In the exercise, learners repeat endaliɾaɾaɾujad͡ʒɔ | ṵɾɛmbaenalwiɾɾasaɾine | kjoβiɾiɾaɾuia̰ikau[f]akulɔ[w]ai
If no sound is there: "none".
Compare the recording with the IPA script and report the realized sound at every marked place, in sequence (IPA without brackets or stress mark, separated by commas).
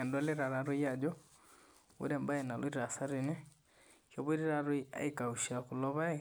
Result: ʃ, β